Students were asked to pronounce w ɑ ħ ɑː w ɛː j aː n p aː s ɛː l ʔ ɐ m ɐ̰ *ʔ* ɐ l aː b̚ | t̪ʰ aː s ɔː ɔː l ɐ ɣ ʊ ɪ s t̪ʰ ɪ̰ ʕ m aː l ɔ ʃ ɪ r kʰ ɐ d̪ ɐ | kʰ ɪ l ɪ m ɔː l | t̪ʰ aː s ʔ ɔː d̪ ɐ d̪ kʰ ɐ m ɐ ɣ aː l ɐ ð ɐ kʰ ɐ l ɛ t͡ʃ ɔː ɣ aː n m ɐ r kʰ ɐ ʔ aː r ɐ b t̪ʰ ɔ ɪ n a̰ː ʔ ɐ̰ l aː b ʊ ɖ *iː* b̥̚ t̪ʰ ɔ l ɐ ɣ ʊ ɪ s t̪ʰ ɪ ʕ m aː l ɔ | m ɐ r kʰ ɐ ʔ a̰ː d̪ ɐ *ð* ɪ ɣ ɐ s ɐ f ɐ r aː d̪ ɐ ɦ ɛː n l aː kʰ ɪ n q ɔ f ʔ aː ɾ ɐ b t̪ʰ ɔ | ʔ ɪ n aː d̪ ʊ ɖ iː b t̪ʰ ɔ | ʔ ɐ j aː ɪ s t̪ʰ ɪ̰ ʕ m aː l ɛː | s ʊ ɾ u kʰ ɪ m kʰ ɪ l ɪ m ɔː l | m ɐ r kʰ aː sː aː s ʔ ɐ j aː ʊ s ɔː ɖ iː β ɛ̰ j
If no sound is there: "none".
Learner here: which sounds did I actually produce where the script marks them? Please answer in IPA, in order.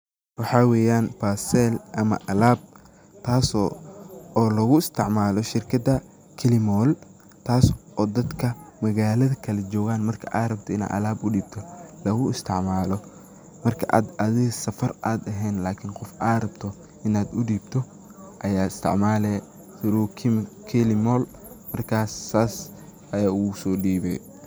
ʔ, iː, ð

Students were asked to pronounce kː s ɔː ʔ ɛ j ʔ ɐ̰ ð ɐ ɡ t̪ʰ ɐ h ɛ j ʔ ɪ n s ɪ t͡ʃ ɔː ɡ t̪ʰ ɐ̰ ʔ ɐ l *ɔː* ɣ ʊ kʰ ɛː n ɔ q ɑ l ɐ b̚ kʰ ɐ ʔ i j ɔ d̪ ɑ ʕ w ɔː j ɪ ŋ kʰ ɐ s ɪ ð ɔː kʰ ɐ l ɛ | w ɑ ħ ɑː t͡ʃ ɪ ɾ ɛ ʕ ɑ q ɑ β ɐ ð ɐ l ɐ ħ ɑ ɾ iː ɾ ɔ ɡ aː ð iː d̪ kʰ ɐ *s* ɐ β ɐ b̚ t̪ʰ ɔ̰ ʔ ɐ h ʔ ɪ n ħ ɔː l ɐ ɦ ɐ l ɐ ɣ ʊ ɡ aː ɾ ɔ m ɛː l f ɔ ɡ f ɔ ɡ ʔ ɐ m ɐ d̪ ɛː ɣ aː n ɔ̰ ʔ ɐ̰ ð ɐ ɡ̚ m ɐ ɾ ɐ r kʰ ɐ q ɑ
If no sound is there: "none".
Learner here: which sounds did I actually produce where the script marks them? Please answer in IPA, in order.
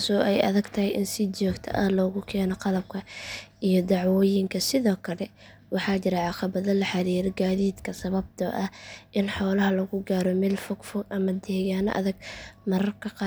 ɔː, s

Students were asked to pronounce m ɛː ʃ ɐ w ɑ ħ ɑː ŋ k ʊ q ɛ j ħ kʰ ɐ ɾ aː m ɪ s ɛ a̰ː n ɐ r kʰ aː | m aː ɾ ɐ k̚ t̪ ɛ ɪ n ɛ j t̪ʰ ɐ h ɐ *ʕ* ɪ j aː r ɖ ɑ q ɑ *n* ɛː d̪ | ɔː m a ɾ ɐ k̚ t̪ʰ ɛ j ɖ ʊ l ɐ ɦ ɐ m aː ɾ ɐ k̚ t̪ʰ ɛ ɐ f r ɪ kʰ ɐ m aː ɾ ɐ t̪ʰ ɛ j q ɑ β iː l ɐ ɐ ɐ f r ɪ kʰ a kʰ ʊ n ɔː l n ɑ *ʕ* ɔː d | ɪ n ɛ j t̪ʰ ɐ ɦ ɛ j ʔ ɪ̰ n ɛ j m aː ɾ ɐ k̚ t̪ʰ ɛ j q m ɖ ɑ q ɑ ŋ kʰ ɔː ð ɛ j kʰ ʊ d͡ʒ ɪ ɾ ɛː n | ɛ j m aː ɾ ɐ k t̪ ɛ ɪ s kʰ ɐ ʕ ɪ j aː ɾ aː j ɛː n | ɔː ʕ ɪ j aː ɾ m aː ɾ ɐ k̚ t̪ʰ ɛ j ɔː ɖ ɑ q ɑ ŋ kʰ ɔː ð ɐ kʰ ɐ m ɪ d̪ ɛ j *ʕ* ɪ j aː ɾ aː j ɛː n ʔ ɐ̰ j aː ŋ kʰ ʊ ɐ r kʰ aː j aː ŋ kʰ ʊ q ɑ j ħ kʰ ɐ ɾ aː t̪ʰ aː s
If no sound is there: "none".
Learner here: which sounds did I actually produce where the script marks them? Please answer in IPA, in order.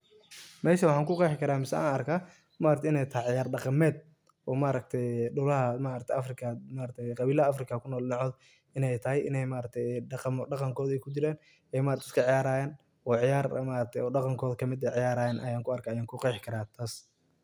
ʕ, m, ʕ, ʕ

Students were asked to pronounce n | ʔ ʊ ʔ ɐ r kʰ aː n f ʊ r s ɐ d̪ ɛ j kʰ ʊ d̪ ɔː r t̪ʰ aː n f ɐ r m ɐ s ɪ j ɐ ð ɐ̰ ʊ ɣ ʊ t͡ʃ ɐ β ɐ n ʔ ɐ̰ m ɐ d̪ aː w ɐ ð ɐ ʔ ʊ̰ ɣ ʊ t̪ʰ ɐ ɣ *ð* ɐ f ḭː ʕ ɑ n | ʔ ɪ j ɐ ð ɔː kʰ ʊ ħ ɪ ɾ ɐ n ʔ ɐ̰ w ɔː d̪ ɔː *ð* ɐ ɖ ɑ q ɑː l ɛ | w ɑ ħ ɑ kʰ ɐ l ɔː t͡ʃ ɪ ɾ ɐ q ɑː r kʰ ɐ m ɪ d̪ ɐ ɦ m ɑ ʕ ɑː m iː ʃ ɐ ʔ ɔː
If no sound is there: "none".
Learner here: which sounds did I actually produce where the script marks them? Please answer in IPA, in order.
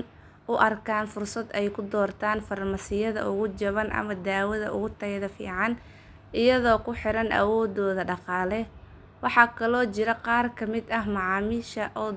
ð, ð

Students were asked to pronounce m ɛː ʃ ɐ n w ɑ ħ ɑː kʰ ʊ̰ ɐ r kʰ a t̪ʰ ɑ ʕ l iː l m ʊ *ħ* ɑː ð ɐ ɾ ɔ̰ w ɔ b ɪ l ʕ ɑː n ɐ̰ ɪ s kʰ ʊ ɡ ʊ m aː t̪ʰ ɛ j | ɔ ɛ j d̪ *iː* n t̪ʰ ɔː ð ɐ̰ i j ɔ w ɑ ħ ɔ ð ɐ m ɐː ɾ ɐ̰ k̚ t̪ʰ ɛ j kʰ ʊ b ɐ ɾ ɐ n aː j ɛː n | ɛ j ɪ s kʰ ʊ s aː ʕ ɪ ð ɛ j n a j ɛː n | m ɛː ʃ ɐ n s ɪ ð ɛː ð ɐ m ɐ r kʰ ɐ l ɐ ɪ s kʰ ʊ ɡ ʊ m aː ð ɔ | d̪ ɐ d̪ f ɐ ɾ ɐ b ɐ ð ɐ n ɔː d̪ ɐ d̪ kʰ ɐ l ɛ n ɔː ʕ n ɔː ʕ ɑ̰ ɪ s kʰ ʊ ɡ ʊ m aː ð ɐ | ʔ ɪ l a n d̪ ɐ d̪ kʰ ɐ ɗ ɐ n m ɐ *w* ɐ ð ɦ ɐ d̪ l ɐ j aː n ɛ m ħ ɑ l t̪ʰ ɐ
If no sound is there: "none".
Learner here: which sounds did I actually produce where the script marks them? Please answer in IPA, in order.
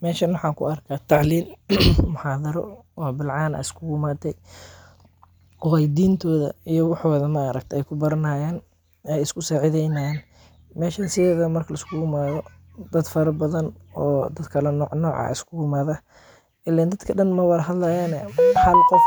ħ, iː, w

